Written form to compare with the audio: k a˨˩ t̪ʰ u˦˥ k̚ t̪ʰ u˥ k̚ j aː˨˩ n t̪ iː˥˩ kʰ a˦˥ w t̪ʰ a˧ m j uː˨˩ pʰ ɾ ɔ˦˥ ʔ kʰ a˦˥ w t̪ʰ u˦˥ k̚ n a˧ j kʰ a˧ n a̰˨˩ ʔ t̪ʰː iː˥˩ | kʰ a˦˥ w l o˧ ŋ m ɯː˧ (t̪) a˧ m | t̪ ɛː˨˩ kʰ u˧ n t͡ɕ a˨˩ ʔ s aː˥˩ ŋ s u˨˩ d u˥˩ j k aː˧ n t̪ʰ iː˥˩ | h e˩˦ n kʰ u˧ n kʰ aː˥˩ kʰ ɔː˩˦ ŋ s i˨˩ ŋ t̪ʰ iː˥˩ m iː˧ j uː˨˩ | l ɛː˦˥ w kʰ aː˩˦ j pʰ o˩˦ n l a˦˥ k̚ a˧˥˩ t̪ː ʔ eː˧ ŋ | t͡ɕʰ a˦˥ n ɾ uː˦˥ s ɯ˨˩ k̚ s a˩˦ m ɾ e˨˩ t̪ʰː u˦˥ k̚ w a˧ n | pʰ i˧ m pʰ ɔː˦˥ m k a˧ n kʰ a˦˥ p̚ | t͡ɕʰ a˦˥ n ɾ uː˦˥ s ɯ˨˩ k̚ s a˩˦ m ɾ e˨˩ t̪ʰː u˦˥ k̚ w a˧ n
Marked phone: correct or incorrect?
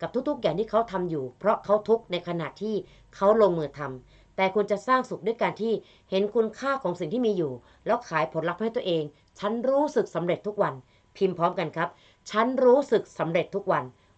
incorrect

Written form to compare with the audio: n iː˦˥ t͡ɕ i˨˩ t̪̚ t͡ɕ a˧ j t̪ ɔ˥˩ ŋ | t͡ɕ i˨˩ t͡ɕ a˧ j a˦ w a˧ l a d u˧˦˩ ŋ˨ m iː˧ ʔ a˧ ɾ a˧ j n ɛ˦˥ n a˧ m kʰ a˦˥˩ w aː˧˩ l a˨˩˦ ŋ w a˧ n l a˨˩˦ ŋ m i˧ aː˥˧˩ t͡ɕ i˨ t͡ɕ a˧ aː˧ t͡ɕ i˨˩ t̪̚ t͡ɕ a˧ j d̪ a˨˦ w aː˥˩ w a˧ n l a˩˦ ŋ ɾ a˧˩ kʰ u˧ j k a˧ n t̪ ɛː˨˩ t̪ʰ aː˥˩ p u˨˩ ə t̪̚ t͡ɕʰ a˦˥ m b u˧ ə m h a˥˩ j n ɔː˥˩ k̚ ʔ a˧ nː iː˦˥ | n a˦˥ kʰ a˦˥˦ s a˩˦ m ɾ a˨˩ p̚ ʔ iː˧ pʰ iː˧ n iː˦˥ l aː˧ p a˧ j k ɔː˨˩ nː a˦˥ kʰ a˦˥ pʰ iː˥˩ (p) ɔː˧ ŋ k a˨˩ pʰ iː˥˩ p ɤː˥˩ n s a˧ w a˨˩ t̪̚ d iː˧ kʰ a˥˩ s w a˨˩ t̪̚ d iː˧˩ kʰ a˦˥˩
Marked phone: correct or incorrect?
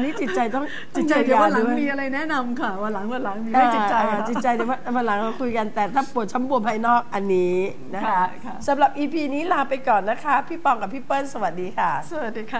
correct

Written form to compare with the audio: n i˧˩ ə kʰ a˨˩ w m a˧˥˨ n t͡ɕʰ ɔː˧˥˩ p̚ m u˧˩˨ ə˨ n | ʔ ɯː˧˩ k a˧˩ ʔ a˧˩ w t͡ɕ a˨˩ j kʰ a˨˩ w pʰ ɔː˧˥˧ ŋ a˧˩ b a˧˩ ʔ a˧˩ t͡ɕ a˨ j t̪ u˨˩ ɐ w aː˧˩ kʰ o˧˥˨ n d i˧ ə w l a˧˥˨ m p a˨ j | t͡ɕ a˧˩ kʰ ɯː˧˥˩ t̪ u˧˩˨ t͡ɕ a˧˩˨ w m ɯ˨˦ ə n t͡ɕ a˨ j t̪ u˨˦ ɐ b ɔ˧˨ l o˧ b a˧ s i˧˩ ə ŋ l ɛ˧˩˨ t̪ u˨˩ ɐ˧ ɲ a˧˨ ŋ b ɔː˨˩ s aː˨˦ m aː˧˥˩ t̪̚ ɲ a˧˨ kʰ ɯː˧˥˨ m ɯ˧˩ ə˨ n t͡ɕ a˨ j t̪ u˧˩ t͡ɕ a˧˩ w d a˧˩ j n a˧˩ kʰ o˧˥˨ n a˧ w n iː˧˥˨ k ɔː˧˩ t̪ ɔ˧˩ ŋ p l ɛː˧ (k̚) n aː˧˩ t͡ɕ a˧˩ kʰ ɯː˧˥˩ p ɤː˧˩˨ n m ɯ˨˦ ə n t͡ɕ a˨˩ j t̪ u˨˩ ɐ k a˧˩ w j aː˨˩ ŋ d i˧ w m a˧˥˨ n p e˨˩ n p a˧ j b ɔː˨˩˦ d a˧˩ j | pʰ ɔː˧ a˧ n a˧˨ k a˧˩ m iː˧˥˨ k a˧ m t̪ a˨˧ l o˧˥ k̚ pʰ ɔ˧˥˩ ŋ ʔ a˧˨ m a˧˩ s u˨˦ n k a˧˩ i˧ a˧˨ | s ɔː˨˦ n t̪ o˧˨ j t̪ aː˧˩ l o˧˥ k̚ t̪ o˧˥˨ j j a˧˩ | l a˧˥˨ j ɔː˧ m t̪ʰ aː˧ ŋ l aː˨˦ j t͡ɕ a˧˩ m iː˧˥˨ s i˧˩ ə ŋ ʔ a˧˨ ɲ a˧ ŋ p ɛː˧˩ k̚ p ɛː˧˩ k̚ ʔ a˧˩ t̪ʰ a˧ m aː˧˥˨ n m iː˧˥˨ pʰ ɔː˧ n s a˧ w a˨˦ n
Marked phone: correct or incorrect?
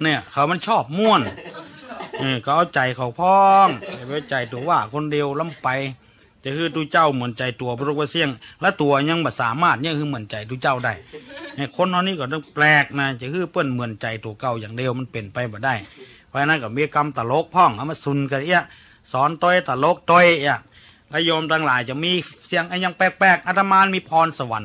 correct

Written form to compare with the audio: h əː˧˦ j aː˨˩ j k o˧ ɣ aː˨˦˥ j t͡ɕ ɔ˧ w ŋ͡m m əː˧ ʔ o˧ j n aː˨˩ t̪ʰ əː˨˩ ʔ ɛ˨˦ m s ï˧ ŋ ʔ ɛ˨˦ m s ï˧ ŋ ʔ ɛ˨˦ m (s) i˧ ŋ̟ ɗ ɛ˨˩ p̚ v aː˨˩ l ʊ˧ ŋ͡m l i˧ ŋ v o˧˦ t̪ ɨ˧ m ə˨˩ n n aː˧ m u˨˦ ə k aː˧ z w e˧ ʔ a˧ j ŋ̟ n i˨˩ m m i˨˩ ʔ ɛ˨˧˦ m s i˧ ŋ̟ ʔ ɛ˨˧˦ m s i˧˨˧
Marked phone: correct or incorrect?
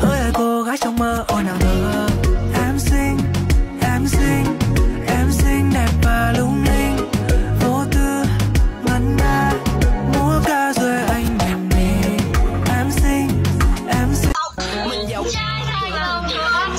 correct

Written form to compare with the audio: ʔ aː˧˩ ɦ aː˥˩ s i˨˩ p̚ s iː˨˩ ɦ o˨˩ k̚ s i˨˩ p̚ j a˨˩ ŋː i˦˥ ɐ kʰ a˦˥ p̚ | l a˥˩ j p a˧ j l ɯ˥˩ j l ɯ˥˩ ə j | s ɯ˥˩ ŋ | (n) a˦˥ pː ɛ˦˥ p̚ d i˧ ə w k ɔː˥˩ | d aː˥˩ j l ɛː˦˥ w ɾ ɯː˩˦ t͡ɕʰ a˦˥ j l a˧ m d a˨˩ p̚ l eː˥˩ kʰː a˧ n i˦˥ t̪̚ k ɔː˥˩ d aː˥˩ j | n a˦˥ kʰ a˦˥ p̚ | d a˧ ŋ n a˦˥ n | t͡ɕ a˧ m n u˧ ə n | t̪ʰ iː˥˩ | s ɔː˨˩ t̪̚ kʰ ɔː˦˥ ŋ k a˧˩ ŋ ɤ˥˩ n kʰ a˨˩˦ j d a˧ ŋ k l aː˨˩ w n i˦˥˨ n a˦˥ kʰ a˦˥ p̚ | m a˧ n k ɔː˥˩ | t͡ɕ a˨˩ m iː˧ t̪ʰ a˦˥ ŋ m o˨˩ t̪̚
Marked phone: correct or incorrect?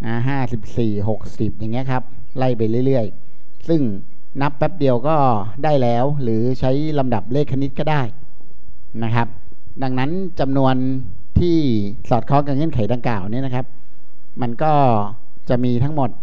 correct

